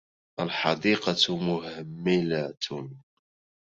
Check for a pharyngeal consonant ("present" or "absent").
present